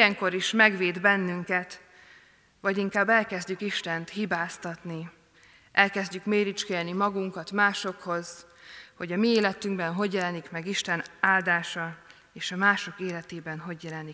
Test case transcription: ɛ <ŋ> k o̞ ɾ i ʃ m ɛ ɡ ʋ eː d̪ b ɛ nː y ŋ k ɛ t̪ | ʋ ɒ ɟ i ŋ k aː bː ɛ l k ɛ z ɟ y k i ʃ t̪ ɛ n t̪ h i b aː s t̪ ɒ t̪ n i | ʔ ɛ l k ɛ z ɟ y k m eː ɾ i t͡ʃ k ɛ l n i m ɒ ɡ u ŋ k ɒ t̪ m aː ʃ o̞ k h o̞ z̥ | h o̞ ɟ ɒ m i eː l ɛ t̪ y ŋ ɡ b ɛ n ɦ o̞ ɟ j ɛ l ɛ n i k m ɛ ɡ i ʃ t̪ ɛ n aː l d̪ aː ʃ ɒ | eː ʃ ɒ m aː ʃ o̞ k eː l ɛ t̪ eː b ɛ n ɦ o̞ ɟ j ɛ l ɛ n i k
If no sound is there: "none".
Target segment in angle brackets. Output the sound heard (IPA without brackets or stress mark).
ŋ